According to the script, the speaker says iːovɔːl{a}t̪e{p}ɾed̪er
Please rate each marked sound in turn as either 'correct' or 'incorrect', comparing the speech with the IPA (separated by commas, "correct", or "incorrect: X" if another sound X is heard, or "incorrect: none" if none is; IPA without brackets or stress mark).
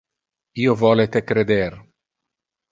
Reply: incorrect: e, incorrect: k